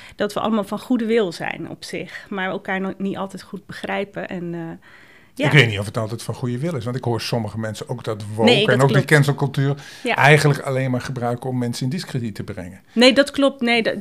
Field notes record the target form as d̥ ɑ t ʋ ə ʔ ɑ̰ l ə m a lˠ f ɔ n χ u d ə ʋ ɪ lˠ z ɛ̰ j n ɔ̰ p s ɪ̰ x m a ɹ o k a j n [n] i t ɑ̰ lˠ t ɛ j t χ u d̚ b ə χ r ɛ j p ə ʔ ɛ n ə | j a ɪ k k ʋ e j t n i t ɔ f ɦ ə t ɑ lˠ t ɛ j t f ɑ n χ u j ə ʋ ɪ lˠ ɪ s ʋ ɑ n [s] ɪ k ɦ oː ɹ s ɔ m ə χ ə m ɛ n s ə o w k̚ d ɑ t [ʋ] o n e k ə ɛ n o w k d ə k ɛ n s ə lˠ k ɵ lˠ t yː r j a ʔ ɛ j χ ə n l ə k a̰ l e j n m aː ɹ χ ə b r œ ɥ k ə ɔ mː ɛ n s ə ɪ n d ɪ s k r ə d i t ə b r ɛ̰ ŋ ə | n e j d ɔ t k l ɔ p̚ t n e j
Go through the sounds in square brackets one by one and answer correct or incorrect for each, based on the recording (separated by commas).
correct, incorrect, correct